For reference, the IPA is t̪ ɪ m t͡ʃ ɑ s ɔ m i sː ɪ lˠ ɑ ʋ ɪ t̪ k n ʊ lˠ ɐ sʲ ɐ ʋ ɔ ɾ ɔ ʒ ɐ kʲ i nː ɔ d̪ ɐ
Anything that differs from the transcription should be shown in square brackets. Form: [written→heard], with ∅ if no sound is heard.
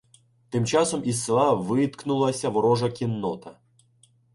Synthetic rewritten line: t̪ ɪ m t͡ʃ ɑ s ɔ m i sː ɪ lˠ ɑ ʋ ɪ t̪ k n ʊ lˠ ɐ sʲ ɐ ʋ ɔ ɾ ɔ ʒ ɐ kʲ i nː ɔ [d̪→t̪] ɐ